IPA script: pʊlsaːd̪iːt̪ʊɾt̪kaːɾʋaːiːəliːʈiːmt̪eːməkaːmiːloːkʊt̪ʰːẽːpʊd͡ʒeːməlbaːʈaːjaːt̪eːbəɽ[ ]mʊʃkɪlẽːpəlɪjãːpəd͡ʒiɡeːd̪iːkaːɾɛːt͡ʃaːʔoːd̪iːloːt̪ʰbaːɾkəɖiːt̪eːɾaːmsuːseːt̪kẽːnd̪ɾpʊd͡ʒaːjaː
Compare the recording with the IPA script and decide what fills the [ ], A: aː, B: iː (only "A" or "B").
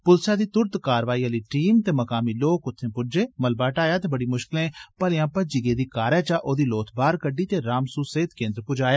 B